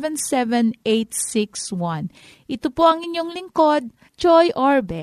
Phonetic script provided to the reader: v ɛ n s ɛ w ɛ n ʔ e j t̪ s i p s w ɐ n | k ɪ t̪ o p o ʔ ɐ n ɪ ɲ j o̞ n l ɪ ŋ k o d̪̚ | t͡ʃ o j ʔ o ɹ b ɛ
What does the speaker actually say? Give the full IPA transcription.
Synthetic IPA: v ɛ n s ɛ v ɛ n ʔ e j t̪ s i k s w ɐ n | ʔ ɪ t̪ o p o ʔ ɐ ŋ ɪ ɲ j o̞ ŋ l ɪ ŋ k o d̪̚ | t͡ʃ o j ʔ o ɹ b ɛ